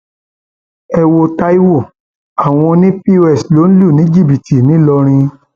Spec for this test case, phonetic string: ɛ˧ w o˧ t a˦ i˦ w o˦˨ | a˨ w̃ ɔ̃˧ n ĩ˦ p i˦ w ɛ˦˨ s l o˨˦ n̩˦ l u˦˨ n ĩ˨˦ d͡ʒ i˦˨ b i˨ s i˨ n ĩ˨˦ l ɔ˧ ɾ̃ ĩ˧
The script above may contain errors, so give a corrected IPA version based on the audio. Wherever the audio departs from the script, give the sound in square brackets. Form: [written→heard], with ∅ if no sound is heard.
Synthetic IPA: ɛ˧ w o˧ t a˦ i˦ w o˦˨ | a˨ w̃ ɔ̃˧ n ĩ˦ p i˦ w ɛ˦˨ s l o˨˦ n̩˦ l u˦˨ n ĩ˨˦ d͡ʒ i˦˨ b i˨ [s→t] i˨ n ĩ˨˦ l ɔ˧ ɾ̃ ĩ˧